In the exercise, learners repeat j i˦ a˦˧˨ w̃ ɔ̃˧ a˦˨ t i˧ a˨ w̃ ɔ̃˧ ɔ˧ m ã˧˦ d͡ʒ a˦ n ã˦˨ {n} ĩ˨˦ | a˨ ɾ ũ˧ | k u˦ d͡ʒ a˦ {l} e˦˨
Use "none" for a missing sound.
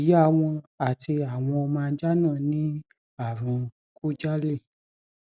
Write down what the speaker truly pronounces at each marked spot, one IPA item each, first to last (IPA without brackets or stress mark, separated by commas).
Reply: n, l